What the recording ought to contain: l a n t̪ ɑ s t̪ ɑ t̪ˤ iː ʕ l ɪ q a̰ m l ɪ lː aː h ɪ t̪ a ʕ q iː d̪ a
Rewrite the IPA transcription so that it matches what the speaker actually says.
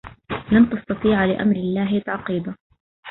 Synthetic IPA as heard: l a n t̪ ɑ s t̪ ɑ t̪ˤ iː ʕ l ɪ ʔ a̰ m ɾ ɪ lː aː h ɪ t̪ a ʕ q iː d̪ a